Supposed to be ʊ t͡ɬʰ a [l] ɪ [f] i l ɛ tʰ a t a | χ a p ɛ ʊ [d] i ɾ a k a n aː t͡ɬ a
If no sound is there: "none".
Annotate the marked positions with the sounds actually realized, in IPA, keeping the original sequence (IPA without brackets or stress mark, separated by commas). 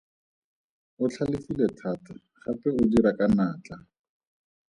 l, f, d